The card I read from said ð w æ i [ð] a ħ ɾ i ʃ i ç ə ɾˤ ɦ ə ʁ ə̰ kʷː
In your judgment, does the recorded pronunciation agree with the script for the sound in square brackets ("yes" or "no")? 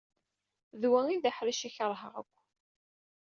yes